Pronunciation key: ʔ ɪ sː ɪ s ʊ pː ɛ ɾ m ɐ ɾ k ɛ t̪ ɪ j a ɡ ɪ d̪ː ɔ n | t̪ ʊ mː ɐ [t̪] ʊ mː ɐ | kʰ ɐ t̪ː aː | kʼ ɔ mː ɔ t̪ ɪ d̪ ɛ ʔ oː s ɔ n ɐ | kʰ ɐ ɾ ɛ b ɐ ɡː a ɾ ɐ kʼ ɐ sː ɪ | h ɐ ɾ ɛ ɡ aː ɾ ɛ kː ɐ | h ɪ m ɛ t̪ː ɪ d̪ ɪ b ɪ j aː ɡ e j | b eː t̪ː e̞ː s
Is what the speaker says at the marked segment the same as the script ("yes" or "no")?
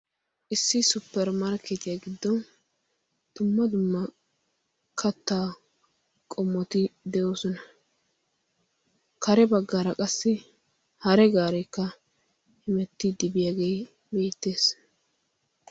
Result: no